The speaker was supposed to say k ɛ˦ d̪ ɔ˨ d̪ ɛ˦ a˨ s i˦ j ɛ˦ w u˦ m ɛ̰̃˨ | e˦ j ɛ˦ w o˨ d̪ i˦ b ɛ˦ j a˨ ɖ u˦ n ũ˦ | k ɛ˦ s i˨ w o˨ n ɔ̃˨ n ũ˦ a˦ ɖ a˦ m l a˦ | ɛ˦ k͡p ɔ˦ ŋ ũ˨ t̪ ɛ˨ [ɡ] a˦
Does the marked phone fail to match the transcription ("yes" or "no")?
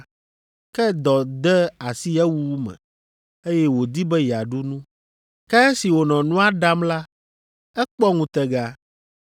no